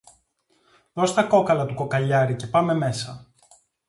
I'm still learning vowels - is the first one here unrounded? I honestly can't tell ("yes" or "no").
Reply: no